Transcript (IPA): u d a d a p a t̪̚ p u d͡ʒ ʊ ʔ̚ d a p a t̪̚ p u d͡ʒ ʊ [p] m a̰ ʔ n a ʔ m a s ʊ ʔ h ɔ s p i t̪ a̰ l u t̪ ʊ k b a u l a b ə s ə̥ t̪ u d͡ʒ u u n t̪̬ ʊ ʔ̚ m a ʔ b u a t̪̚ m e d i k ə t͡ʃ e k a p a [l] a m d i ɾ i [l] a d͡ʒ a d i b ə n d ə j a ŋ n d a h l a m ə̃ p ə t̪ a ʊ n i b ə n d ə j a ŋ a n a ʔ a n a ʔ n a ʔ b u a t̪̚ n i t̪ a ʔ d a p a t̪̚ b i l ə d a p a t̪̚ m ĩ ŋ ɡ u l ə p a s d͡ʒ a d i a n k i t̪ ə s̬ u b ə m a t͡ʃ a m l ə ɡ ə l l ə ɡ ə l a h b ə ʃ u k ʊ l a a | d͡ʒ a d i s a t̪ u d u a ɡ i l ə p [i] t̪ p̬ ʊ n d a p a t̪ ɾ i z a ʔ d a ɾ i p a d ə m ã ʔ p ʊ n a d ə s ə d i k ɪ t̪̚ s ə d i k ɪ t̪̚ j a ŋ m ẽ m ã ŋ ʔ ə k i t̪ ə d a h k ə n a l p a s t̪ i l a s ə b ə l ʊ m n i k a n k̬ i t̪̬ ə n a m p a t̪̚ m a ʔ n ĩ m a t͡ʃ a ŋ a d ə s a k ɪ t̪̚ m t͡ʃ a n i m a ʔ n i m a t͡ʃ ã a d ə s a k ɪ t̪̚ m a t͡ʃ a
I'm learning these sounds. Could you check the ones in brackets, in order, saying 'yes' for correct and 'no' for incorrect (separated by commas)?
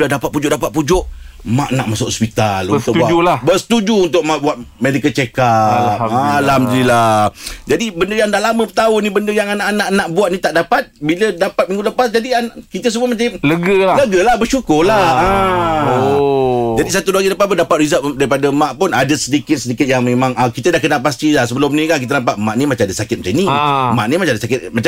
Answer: no, yes, yes, no